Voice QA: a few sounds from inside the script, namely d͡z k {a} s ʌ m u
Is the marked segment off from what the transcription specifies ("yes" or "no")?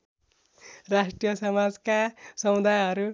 no